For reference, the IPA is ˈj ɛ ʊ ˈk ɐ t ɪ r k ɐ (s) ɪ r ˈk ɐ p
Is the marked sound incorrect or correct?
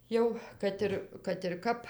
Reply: incorrect